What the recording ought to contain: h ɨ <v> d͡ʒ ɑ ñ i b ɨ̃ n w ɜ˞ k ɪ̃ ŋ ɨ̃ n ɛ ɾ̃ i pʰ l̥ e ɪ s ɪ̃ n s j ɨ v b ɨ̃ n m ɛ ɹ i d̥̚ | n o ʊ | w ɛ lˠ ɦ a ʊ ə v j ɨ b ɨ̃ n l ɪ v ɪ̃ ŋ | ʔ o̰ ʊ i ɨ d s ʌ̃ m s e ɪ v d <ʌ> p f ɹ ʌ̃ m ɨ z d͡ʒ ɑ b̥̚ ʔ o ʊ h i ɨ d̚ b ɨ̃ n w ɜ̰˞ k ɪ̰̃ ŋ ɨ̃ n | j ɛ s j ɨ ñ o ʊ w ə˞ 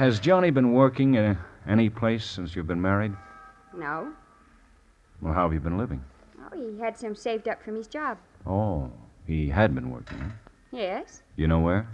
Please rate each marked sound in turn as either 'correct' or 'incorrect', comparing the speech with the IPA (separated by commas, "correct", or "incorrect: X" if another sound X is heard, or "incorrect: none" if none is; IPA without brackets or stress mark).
incorrect: z, correct